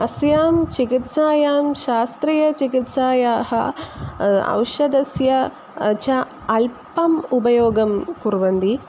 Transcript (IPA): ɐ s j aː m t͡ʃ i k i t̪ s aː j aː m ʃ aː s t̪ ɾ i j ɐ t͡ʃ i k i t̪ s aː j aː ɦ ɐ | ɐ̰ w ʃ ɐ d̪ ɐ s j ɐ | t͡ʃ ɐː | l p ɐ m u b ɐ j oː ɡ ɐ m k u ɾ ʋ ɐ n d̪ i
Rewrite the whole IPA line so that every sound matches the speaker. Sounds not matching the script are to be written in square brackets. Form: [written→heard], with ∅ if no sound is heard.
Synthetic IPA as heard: ɐ s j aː m t͡ʃ i k i t̪ s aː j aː m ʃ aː s t̪ ɾ i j ɐ t͡ʃ i k i t̪ s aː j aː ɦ ɐ | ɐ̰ w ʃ ɐ d̪ ɐ s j ɐ | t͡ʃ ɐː | l p ɐ m u b ɐ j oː ɡ ɐ m k u ɾ ʋ ɐ n d̪ i